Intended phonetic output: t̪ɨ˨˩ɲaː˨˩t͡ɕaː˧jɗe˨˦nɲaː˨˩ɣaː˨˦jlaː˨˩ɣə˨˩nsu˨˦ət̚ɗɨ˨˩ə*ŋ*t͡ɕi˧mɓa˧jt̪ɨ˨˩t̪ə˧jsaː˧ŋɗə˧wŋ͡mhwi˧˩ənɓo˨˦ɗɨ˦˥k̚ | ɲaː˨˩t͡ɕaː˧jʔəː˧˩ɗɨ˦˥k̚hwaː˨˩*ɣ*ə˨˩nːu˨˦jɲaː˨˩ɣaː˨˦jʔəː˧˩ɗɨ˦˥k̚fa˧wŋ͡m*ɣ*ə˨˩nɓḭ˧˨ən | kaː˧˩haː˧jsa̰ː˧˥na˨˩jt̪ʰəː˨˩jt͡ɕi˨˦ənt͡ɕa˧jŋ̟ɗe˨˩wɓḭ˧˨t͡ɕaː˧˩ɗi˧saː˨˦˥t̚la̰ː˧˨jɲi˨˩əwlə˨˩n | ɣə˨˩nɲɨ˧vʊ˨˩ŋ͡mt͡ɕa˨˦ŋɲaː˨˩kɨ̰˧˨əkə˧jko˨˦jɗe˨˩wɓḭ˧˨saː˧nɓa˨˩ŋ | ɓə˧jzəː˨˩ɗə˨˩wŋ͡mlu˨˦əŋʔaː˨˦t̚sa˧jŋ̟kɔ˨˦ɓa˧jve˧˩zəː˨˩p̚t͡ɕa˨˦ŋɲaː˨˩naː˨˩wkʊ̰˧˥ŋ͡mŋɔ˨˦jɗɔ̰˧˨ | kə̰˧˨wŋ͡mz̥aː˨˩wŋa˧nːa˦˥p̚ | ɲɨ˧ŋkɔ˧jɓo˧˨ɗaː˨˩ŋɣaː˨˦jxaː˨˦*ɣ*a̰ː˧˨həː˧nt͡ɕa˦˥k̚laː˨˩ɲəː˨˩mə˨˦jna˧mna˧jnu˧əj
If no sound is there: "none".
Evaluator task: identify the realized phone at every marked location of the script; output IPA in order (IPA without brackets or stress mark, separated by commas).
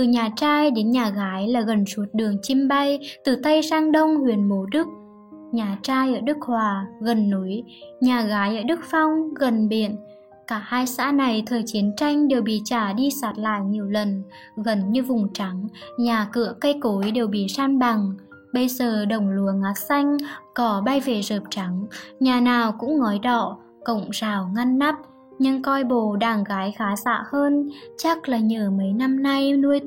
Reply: ŋ, ɣ, ɣ, z